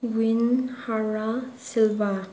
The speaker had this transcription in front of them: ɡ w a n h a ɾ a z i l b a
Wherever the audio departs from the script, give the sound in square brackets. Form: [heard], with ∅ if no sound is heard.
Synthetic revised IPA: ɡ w [i] n h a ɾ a [s] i l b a